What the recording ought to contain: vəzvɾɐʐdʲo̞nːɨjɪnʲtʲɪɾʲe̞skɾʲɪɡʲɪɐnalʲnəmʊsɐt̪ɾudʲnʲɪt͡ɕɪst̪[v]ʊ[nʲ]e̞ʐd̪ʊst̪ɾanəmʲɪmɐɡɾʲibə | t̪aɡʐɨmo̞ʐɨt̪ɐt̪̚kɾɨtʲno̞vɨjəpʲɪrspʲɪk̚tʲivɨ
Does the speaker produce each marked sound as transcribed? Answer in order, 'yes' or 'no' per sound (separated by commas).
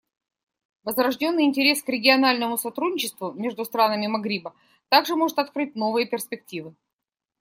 yes, no